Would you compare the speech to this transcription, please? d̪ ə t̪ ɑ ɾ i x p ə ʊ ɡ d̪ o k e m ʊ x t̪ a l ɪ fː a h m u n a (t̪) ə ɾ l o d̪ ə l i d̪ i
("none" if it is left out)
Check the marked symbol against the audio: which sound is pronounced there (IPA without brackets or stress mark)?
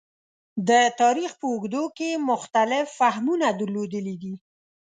d̪